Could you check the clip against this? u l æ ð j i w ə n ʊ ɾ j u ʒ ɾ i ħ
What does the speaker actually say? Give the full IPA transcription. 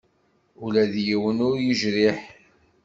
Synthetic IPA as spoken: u l æ ð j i w ə n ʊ ɾ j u ʒ ɾ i ħ